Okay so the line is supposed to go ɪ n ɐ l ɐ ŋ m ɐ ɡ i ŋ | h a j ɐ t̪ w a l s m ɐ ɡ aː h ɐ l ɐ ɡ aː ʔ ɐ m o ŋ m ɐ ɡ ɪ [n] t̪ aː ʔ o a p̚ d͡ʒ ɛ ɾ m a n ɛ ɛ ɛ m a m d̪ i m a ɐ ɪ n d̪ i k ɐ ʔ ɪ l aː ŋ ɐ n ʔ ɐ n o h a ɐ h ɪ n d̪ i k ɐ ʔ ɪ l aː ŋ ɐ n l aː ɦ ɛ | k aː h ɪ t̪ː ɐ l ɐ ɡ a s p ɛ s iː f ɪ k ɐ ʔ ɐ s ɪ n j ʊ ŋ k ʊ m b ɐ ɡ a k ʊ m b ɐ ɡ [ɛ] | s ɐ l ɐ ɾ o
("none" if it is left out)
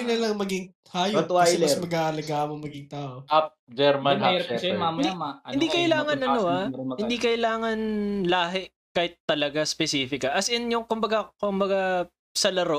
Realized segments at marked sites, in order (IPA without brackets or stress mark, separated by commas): ŋ, a